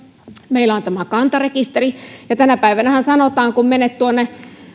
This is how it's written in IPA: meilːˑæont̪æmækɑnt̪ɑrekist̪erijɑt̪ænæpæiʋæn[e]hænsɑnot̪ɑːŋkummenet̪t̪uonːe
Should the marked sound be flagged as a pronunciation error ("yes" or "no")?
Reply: yes